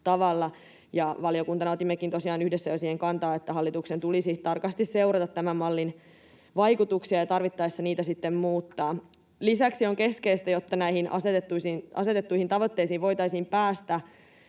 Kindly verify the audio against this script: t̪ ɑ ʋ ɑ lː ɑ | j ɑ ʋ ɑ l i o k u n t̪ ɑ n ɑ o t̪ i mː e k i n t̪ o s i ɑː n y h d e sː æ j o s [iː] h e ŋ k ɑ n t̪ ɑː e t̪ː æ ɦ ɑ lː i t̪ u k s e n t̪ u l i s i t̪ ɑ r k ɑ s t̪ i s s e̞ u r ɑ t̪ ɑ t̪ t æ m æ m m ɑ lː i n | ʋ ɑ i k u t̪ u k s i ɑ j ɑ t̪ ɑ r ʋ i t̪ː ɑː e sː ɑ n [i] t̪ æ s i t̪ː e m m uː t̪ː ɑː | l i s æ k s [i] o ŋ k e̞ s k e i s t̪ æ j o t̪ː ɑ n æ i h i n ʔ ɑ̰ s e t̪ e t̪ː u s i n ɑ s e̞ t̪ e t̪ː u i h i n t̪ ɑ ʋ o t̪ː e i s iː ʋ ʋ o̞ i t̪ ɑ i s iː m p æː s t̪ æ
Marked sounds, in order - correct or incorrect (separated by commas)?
correct, incorrect, correct